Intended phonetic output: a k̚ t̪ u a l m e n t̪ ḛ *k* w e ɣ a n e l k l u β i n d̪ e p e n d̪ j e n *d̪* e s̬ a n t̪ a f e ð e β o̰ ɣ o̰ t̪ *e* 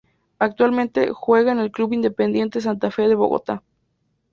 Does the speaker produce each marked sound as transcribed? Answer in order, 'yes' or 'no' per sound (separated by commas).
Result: no, no, no